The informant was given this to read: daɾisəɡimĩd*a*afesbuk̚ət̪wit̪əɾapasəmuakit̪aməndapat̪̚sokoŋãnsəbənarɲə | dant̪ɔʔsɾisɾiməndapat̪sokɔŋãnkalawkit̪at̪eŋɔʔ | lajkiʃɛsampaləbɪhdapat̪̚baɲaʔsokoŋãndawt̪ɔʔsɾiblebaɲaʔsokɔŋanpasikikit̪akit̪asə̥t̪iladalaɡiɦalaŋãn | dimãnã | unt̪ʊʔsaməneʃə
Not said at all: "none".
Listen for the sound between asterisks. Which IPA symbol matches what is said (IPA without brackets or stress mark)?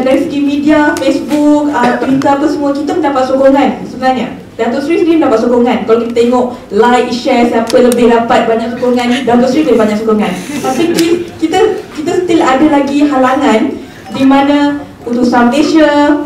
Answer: i